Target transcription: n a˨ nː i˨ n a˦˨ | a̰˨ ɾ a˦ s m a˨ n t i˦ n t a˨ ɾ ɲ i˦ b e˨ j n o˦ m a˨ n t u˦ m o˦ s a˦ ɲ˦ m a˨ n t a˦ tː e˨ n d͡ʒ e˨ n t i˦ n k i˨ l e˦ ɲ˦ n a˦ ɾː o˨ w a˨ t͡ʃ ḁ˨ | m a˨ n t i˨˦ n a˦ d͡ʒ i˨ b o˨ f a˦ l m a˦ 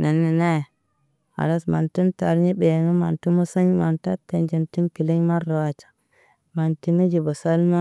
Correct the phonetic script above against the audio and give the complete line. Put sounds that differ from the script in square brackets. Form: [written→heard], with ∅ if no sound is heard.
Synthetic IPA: n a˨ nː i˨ n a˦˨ | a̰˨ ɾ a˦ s m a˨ n t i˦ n t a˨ ɾ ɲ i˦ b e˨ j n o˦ m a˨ n t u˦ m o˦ s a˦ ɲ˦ m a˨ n t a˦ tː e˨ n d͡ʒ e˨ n t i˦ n k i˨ l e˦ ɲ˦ [n→m] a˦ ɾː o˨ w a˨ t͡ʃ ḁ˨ | m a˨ n t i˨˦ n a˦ d͡ʒ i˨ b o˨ [f→s] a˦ l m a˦